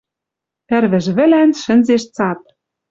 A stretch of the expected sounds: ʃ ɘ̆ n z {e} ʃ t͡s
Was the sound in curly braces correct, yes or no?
yes